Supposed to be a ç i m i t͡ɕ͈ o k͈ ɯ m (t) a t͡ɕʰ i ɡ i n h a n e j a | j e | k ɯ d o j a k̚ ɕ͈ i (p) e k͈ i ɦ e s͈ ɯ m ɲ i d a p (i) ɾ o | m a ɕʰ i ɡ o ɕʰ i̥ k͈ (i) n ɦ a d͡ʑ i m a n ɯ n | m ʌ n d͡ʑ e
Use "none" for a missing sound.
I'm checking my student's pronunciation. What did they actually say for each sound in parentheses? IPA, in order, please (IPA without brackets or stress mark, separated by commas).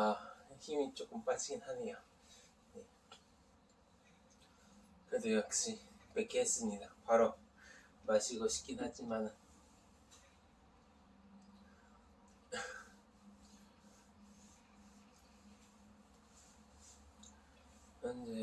p, p, a, i